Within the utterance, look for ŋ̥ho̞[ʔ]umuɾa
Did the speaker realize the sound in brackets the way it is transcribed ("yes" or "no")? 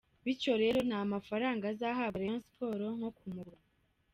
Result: no